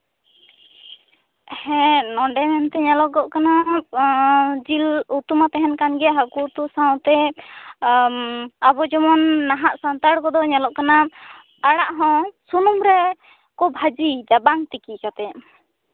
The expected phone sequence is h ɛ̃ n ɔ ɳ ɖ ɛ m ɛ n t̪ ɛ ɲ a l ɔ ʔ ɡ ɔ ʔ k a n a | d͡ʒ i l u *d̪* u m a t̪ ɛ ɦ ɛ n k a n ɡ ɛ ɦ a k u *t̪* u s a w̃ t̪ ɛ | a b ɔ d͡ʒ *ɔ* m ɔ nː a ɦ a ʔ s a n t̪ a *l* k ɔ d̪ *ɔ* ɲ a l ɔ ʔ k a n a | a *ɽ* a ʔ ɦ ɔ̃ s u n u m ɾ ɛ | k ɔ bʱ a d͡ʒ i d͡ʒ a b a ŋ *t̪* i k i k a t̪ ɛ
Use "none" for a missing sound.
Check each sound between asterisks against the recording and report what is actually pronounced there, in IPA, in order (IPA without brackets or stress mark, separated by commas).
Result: t̪, t̪, ɔ, ɽ, ɔ, ɽ, t̪